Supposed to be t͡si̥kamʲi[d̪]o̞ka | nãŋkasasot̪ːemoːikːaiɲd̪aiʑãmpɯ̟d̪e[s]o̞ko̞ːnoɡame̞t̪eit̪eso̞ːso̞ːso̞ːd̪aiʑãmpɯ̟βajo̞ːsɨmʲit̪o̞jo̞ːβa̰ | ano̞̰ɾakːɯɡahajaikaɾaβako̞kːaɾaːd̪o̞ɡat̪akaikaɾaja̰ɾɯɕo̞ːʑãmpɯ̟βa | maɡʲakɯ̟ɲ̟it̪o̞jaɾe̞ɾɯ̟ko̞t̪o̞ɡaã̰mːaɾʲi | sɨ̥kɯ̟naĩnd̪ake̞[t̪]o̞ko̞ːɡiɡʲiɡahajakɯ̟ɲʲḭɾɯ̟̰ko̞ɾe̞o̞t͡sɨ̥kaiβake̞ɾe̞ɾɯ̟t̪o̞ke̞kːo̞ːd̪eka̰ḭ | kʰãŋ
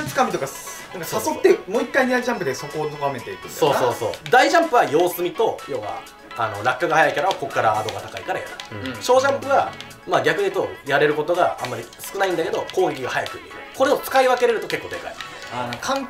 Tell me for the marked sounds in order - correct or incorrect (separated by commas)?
incorrect, correct, incorrect